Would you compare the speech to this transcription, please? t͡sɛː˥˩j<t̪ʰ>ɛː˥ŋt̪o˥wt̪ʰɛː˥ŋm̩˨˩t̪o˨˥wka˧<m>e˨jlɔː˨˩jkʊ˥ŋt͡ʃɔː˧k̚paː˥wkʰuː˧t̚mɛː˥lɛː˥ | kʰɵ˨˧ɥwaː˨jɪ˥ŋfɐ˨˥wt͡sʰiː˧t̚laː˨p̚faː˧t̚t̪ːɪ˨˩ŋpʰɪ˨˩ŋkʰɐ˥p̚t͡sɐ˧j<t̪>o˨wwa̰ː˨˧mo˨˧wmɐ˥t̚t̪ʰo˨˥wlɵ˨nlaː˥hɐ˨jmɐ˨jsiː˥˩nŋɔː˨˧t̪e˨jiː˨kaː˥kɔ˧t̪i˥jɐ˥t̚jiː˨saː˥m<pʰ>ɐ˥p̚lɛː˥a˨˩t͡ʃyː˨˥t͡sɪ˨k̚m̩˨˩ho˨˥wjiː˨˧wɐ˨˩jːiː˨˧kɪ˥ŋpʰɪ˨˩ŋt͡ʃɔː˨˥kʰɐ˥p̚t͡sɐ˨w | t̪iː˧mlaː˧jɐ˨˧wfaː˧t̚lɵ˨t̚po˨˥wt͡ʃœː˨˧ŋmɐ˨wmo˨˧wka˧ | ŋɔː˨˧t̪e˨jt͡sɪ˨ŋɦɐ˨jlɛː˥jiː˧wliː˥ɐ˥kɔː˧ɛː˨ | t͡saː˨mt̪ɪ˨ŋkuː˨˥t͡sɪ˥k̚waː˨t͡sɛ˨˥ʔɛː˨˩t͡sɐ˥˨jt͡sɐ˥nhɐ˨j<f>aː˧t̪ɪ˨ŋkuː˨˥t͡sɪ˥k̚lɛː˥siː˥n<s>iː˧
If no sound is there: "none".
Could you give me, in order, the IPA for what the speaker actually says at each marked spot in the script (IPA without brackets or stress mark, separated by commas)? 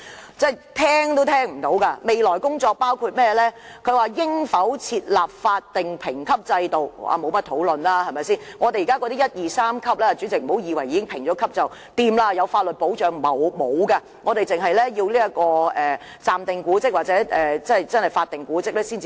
t̪ʰ, m, t̪, kʰ, f, t͡s